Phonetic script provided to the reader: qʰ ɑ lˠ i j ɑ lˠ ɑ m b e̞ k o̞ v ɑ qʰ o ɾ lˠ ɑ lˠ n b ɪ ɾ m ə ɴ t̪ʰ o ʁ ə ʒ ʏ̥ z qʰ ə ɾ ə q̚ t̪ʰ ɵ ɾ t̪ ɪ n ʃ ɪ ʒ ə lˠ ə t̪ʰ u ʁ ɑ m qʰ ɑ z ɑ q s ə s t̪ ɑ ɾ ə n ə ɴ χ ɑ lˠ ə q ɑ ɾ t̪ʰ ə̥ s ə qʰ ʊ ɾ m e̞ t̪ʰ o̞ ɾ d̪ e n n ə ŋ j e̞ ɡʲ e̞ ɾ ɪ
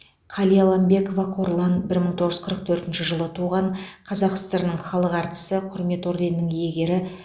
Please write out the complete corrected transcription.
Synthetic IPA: qʰ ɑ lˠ i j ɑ lˠ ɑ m b e̞ k o̞ v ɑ qʰ o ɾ lˠ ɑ n b ɪ ɾ m ə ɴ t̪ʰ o ʁ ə ʒ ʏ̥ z qʰ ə ɾ ə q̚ t̪ʰ ɵ ɾ t̪ ɪ n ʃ ɪ ʒ ə lˠ ə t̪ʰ u ʁ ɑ ɴ qʰ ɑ z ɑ q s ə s t̪ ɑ ɾ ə n ə ɴ χ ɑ lˠ ə q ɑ ɾ t̪ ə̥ s ə qʰ ʊ ɾ m e̞ t̪ o̞ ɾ d̪ e n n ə ŋ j e̞ ɡʲ e̞ ɾ ɪ